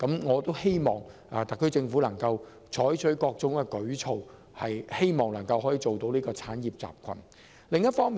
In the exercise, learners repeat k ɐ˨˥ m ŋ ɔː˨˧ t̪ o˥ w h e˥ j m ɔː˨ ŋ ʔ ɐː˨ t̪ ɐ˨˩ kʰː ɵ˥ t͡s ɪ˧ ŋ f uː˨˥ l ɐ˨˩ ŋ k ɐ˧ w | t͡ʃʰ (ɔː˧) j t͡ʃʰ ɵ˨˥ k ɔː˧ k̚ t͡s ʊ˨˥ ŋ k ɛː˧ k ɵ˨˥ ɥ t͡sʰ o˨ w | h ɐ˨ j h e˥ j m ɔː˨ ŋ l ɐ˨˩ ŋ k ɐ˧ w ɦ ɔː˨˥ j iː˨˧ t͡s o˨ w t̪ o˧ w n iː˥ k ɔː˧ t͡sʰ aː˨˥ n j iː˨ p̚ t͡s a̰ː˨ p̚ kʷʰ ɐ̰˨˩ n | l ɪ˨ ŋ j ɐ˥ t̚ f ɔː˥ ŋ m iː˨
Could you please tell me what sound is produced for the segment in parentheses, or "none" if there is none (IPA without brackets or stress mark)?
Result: ɔː˨˥